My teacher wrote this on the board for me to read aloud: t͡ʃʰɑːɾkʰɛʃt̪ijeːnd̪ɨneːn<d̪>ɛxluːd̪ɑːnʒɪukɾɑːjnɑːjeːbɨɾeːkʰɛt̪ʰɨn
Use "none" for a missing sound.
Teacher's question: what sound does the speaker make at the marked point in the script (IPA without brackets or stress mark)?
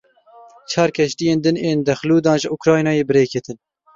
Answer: d̪